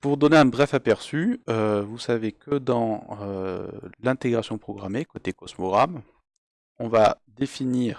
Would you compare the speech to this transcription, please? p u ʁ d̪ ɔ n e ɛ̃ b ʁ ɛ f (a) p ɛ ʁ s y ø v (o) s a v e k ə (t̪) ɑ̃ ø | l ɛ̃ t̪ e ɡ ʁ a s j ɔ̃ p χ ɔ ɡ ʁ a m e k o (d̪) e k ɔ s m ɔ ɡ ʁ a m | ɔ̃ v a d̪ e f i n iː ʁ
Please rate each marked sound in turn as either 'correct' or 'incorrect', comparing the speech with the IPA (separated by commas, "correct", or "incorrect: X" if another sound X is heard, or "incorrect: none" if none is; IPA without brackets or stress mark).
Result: correct, incorrect: u, incorrect: d̪, incorrect: t̪